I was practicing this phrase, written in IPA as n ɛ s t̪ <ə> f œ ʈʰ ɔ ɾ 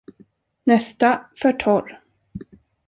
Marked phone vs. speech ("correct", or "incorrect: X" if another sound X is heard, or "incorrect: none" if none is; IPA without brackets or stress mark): incorrect: a